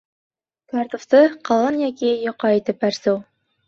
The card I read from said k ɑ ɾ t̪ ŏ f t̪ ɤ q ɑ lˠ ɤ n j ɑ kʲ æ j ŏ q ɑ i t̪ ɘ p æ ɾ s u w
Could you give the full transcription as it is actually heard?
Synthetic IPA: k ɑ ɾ t̪ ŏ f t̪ ɤ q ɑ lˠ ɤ n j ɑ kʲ i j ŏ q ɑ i t̪ ɘ p æ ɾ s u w